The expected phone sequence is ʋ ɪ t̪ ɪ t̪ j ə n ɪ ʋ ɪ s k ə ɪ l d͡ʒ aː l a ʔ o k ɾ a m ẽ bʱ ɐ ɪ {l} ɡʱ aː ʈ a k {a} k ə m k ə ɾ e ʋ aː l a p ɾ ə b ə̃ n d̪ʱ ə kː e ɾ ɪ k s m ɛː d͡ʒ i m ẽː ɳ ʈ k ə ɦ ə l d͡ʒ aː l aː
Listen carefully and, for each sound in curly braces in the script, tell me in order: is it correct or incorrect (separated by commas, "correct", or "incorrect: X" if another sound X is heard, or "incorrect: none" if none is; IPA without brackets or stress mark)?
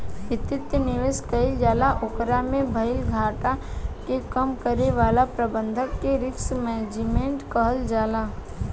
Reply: correct, incorrect: e